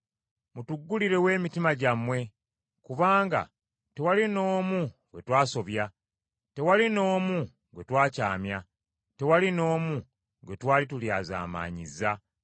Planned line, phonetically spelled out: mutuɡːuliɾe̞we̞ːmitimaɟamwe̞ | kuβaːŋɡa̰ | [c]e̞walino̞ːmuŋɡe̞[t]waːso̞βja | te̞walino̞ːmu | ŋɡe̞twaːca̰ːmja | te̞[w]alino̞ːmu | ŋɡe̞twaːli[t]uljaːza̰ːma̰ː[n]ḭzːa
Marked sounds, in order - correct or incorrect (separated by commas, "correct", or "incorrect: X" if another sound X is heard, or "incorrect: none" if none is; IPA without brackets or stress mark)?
incorrect: t, correct, correct, correct, incorrect: ɲ